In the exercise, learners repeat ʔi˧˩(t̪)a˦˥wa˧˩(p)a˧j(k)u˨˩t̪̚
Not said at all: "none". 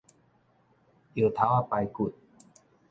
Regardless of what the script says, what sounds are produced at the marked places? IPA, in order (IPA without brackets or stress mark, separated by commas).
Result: t̪ʰ, p, k